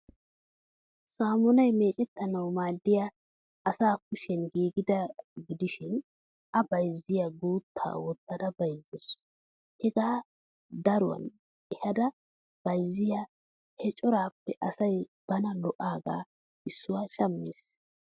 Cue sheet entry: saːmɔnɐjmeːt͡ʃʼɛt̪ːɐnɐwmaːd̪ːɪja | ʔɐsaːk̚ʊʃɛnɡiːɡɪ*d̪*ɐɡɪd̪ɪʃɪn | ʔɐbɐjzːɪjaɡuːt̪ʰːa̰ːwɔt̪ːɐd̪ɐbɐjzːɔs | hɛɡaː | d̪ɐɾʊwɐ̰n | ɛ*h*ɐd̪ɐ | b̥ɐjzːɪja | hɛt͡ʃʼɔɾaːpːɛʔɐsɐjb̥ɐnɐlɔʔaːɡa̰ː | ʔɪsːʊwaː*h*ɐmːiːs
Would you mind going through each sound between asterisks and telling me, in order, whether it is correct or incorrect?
correct, correct, incorrect: ʃ

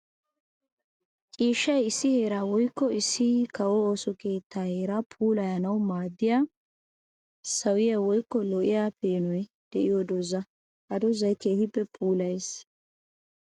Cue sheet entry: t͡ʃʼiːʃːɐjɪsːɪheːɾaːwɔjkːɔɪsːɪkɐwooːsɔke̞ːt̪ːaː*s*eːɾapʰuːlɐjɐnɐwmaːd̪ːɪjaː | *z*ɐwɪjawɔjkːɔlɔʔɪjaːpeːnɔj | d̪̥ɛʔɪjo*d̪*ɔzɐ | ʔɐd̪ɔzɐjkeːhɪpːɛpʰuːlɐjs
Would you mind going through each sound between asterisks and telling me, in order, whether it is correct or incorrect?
incorrect: h, incorrect: s, correct

